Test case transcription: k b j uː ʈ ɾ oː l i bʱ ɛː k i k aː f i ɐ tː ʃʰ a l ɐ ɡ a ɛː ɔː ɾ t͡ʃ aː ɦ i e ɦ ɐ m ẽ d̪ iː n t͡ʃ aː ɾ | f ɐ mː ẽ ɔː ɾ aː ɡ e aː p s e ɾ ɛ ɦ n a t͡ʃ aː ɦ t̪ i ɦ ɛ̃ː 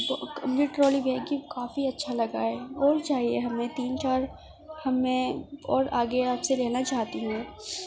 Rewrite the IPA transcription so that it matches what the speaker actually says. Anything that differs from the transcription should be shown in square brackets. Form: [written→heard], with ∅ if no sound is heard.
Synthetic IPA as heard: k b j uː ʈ ɾ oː l i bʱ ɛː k i k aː f i ɐ tː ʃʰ a l ɐ ɡ a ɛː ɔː ɾ t͡ʃ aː ɦ i e ɦ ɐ m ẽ [d̪→t̪] iː n t͡ʃ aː ɾ | [f→h] ɐ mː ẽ ɔː ɾ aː ɡ e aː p s e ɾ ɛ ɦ n a t͡ʃ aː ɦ t̪ i ɦ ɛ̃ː